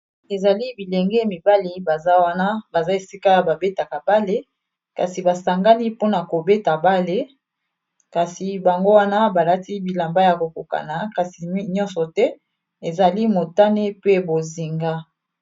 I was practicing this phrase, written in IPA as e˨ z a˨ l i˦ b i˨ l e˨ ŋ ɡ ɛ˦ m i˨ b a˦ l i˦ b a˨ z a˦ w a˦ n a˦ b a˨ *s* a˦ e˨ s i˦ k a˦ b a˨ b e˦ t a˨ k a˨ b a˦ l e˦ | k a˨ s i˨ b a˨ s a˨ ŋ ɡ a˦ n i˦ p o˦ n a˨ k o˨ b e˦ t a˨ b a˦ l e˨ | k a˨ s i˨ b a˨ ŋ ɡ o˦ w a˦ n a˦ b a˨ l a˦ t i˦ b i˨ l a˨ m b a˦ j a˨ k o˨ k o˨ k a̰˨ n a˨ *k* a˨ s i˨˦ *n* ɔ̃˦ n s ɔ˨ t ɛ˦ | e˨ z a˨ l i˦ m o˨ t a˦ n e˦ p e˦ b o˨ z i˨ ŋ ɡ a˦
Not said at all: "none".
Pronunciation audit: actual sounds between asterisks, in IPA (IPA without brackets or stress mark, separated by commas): z, k, ɲ